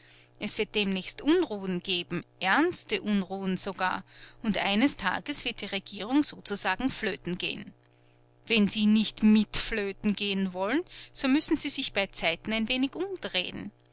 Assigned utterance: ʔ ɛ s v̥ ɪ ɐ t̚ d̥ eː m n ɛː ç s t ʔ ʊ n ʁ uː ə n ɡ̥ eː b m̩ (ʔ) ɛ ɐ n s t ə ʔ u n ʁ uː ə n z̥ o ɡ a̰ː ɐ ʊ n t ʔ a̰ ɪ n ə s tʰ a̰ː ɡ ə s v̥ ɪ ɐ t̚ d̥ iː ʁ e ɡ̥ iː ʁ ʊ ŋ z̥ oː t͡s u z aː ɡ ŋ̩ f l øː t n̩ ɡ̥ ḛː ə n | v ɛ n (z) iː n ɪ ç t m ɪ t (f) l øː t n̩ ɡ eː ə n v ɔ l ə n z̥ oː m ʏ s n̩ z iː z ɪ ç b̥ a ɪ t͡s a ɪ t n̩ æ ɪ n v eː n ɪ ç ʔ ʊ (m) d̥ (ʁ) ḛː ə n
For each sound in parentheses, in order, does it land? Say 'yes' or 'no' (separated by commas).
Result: yes, yes, yes, yes, yes